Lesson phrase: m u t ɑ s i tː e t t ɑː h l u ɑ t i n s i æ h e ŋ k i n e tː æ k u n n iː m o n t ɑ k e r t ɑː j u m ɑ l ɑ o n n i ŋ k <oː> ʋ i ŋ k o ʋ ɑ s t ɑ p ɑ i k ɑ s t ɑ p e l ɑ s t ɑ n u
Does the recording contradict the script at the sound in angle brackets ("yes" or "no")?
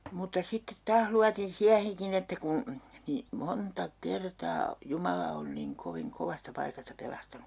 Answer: yes